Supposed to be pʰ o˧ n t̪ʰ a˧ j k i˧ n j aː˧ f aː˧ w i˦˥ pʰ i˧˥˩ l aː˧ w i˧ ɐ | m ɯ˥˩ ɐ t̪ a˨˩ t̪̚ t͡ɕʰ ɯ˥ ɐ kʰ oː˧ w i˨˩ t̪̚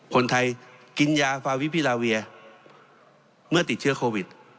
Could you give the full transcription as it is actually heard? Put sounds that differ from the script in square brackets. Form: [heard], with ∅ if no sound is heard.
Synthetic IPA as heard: [kʰ] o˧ n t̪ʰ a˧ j k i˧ n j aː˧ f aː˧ w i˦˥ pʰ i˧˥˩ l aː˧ w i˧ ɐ | m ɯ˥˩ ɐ t̪ [i˨˩] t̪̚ t͡ɕʰ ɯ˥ ɐ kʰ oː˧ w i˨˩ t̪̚